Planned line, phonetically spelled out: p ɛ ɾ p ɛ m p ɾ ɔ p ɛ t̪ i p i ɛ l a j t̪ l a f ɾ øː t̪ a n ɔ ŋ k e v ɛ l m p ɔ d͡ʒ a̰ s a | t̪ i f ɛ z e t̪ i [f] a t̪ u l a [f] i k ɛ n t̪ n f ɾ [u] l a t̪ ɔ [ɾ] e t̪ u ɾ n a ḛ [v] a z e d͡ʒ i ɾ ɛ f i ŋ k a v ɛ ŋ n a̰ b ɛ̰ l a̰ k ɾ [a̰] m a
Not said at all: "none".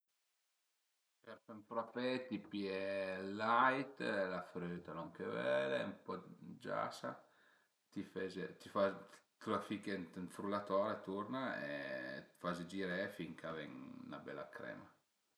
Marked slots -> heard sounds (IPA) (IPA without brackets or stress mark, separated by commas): f, f, u, ɾ, f, ɛ̰